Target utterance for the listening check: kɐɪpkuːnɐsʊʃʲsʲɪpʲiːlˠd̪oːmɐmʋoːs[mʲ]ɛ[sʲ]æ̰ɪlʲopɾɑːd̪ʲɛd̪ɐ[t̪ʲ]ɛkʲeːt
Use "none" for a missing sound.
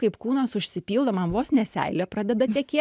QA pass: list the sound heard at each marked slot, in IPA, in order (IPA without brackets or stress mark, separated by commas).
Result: nʲ, sʲ, t̪ʲ